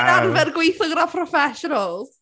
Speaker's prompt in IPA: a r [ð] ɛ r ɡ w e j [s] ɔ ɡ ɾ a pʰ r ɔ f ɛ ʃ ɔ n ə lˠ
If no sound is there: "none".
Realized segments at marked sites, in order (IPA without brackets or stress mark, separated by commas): v, θ